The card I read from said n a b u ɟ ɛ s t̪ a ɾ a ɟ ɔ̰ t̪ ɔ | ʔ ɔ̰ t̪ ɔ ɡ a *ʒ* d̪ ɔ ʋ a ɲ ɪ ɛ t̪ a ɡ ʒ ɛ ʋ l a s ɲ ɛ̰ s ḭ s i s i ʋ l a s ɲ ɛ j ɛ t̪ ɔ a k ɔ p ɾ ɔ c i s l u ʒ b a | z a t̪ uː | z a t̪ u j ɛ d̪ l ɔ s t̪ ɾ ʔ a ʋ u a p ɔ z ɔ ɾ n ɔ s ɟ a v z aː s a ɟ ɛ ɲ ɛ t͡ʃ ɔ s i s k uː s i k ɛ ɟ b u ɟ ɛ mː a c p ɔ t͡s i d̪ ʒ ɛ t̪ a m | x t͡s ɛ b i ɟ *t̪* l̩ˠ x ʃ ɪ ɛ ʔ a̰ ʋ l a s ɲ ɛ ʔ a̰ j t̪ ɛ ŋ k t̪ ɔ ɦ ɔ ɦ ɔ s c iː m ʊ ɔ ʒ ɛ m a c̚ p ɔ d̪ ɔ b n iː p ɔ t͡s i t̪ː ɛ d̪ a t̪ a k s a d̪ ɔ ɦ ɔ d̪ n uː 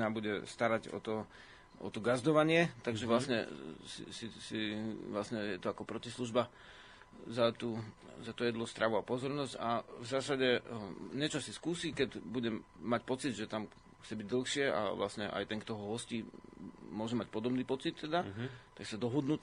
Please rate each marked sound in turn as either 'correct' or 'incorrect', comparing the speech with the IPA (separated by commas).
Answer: incorrect, incorrect